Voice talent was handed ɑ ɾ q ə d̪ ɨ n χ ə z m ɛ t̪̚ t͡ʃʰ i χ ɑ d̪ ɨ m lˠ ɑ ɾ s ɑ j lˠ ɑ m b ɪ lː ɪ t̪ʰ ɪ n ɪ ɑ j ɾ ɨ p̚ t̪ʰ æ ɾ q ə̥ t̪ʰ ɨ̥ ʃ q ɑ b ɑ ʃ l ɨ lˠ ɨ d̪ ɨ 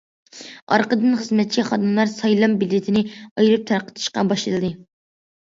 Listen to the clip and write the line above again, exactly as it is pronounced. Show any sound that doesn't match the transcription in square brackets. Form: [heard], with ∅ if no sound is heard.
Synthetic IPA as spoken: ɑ ɾ q ə d̪ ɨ n χ ə z m ɛ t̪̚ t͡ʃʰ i χ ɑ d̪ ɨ m lˠ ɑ ɾ s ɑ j lˠ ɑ m b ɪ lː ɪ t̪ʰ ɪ n ɪ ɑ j ɾ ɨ p̚ t̪ʰ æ ɾ q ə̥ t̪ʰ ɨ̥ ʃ q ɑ b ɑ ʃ l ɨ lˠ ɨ d̪ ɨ